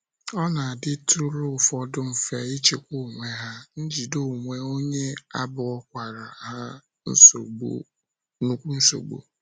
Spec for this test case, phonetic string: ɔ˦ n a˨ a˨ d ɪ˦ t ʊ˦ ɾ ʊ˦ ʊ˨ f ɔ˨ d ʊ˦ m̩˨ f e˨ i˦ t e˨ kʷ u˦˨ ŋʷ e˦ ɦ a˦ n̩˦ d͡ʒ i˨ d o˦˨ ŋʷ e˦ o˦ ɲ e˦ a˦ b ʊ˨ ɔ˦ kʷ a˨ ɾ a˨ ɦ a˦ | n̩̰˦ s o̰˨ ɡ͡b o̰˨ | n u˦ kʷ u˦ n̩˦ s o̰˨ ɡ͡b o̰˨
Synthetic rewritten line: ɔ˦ n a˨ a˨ d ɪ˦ t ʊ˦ ɾ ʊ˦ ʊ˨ f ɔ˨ d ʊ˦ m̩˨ f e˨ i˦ t͡ʃ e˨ kʷ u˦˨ ŋʷ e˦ ɦ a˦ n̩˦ d͡ʒ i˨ d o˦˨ ŋʷ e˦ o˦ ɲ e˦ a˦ b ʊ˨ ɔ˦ kʷ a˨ ɾ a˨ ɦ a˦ | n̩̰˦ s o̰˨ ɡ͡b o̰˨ | n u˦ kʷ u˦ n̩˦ s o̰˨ ɡ͡b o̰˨